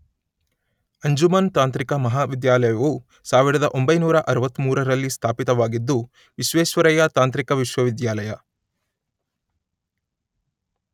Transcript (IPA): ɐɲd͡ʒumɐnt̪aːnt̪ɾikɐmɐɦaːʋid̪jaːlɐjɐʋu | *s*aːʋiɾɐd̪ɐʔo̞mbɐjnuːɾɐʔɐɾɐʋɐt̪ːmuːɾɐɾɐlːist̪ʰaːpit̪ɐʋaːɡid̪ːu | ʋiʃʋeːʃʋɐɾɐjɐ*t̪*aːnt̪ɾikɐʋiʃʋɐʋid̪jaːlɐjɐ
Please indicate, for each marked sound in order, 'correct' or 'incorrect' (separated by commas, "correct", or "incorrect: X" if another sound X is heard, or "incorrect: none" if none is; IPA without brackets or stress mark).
correct, correct